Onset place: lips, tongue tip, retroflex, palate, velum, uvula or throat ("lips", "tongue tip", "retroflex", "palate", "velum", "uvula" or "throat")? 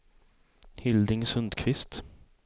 throat